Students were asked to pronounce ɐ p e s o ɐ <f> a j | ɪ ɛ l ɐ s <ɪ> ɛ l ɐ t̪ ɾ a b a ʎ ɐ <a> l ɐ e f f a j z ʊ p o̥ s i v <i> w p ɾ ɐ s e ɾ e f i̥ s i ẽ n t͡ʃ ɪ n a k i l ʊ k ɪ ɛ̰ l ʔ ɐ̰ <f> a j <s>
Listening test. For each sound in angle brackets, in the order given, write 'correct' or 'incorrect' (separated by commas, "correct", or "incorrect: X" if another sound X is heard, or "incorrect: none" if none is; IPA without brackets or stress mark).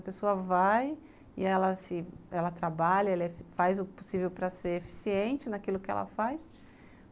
incorrect: v, correct, incorrect: ɛ, incorrect: e, correct, correct